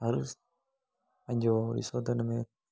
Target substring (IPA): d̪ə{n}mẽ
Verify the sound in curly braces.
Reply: correct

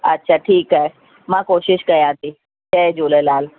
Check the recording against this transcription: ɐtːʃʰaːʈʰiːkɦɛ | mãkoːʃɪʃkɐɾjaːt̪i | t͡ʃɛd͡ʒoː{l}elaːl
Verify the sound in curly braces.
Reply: correct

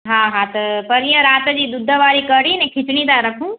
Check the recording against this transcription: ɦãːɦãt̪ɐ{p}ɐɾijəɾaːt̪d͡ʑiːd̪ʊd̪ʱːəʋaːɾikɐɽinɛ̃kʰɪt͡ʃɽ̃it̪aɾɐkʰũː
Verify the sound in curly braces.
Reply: correct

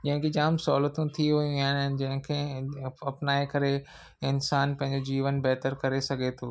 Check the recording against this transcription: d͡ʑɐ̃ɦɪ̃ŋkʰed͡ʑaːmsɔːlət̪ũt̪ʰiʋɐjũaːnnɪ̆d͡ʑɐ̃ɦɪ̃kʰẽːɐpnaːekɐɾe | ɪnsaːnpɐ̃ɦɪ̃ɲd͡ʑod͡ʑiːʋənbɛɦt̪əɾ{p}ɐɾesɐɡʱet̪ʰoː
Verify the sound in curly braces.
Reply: incorrect: k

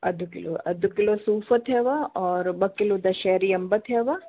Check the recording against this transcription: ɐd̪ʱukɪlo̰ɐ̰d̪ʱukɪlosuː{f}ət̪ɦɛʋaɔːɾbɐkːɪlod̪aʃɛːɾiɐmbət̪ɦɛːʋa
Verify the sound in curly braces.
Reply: correct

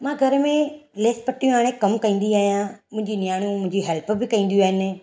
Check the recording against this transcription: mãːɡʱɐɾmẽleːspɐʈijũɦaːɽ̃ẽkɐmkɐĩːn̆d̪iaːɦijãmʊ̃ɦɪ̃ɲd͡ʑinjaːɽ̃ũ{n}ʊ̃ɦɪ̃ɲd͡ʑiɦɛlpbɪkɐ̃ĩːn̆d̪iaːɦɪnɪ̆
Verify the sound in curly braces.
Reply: incorrect: m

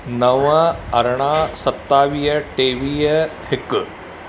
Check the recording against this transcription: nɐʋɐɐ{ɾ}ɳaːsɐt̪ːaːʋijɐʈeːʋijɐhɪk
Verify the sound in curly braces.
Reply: correct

